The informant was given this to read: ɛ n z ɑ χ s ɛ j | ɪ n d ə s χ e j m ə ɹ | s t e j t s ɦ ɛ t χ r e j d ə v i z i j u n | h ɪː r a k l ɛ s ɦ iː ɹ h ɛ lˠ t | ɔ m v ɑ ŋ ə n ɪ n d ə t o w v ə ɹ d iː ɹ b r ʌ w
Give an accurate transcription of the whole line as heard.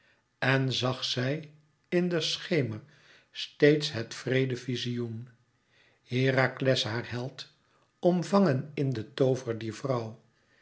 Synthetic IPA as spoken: ɛ n z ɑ χ s ɛ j | ɪ n d ə s χ e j m ə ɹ | s t e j t s ɦ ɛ t f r e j d ə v i z i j u n | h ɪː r a k l ɛ s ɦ aː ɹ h ɛ lˠ t | ɔ m v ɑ ŋ ə n ɪ n d ə t o w v ə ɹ d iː ɹ v r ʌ w

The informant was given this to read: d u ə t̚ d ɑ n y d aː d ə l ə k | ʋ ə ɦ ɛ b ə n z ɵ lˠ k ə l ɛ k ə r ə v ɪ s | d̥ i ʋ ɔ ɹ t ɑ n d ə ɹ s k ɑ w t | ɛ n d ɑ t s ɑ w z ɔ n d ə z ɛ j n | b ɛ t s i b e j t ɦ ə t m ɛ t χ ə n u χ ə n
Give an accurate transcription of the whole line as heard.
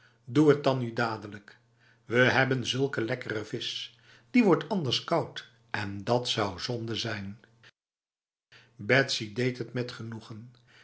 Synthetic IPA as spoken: d u ə t̚ d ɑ n y d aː d ə l ə k | ʋ ə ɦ ɛ b ə n z ɵ lˠ k ə l ɛ k ə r ə v ɪ s | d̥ i ʋ ɔ ɹ t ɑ n d ə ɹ s k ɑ w t | ɛ n d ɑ t s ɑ w z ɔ n d ə z ɛ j n | b ɛ t s i d e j t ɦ ə t m ɛ t χ ə n u χ ə n

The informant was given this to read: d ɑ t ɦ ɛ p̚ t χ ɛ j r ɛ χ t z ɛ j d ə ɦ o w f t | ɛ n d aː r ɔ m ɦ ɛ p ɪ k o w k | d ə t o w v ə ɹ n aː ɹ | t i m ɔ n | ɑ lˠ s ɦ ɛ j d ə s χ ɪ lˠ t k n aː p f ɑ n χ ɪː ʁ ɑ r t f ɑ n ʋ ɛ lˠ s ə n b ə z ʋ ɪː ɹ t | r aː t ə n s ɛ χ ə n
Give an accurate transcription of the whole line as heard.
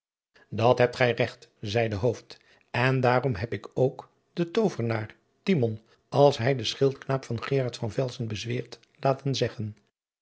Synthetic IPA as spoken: d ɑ t ɦ ɛ p̚ t χ ɛ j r ɛ χ t z ɛ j d ə ɦ o w f t | ɛ n d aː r ɔ m ɦ ɛ p ɪ k o w k | d ə t o w v ə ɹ n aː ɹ | t i m ɔ n | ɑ lˠ s ɦ ɛ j d ə s χ ɪ lˠ t k n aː p f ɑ n χ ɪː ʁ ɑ ɹ t f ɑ n v ɛ lˠ s ə n b ə z ʋ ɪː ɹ t | l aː t ə n z ɛ χ ə n

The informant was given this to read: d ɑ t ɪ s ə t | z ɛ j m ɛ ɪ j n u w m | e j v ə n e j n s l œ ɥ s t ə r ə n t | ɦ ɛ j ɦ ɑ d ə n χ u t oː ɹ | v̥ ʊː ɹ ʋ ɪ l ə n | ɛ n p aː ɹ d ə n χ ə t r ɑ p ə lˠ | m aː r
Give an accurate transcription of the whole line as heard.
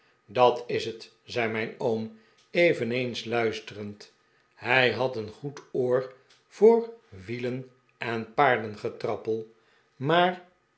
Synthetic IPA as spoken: d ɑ t ɪ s ə t | z ɛ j m ɛ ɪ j n o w m | e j v ə n e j n s l œ ɥ s t ə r ə n t | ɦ ɛ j ɦ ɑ t ə n χ u t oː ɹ | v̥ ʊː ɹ ʋ i l ə n | ɛ n p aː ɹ d ə n χ ə t r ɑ p ə lˠ | m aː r

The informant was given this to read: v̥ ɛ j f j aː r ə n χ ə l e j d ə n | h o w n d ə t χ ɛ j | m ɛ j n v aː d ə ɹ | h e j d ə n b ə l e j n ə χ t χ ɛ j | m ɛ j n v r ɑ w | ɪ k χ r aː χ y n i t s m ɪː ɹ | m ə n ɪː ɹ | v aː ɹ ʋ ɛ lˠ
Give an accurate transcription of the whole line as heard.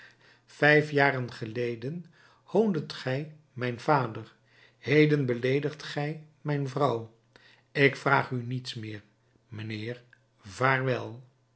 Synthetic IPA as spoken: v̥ ɛ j f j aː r ə n χ ə l e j d ə n | h o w n d ə t χ ɛ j | m ɛ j n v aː d ə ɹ | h e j d ə n b ə l e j d ə χ t χ ɛ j | m ɛ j n v r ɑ w | ɪ k f r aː χ y n i t s m ɪː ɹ | m ə n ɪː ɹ | v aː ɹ ʋ ɛ lˠ

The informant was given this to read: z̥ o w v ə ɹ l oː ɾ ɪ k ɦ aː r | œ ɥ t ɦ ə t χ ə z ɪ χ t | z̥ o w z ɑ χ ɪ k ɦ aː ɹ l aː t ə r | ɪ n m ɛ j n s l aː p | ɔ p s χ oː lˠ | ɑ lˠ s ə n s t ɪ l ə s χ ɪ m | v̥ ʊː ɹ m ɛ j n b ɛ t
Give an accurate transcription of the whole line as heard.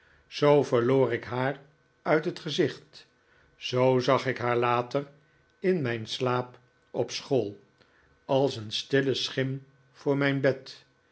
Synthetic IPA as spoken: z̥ o w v ə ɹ l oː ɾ ɪ k ɦ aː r | œ ɥ t ɦ ə t χ ə z ɪ χ t | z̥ o w z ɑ χ ɪ k ɦ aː ɹ l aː t ə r | ɪ n m ɛ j n s l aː p | ɔ p s χ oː lˠ | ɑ lˠ s ə n s t ɪ l ə s χ ɪ m | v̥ ʊː ɹ m ɛ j n b ɛ t

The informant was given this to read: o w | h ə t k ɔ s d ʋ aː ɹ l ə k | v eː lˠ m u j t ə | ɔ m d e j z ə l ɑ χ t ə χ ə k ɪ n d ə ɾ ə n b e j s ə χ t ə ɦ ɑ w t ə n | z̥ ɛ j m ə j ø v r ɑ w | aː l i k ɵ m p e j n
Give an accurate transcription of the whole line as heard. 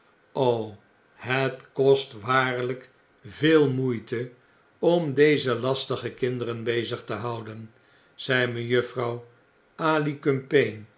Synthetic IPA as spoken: o w | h ə t k ɔ s t ʋ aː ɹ l ə k | v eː lˠ m u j t ə | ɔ m d e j z ə l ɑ s t ə χ ə k ɪ n d ə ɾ ə n b e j z ə χ t ə ɦ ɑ w d ə n | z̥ ɛ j m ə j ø f r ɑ w | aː l i k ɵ m p e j n

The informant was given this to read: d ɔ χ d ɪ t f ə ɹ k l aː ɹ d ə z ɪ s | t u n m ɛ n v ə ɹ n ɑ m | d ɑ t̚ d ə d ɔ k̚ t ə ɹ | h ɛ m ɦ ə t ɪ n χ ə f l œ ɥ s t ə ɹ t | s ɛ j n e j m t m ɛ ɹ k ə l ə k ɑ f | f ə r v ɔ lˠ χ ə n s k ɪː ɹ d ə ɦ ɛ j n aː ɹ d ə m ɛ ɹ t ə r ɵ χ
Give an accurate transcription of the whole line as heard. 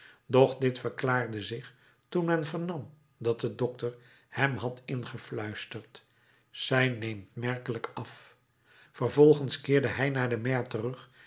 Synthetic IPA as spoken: d ɔ χ d ɪ t f ə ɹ k l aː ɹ d ə z ɪ χ | t u n m ɛ n v ə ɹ n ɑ m | d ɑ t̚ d ə d ɔ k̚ t ə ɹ | h ɛ m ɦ ɑ t ɪ n χ ə f l œ ɥ s t ə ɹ t | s ɛ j n e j m t m ɛ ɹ k ə l ə k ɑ f | f ə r v ɔ lˠ χ ə n s k ɪː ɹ d ə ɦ ɛ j n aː ɹ d ə m ɛ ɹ t ə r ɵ χ

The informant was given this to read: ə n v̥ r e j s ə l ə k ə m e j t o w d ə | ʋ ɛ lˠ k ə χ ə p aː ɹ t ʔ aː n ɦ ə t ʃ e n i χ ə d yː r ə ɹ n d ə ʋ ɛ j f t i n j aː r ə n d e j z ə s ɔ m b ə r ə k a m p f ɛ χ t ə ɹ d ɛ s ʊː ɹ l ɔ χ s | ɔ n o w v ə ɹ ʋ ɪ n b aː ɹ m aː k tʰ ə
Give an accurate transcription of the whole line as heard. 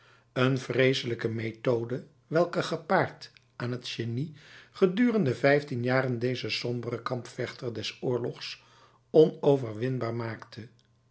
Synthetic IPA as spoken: ə n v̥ r e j s ə l ə k ə m e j t o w d ə | ʋ ɛ lˠ k ə χ ə p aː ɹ t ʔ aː n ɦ ə t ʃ e n i χ ə d yː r ə n d ə v ɛ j f t i n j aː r ə n d e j z ə s ɔ m b ə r ə k ɑ m p f ɛ χ t ə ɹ d ɛ s ʊː ɹ l ɔ χ s | ɔ n o w v ə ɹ ʋ ɪ n b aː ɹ m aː k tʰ ə

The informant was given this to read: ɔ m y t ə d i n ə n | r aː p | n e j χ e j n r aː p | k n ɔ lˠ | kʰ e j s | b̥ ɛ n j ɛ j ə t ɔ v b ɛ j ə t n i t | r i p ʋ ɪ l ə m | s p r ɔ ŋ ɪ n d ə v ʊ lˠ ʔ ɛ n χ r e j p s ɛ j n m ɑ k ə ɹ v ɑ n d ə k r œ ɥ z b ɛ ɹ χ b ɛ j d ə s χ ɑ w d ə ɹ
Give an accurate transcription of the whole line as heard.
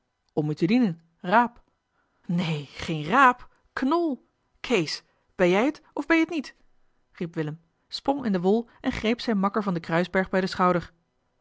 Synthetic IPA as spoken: ɔ m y t ə d i n ə n | r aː p | n e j χ e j n r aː p | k n ɔ lˠ | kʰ e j s | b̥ ɛ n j ɛ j ə t ɔ v b ɛ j ə t n i t | r i p ʋ ɪ l ə m | s p r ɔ ŋ ɪ n d ə ʋ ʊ lˠ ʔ ɛ n χ r e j p s ɛ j n m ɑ k ə ɹ v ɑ n d ə k r œ ɥ z b ɛ ɹ χ b ɛ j d ə s χ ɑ w d ə ɹ

